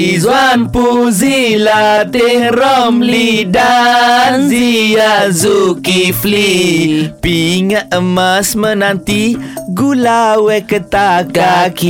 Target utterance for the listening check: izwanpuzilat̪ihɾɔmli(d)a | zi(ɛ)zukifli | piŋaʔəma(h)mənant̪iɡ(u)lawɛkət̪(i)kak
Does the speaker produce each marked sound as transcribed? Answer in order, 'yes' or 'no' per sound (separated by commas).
yes, no, no, yes, no